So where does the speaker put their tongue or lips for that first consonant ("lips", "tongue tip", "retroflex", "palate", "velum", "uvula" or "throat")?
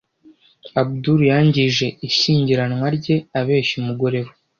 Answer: lips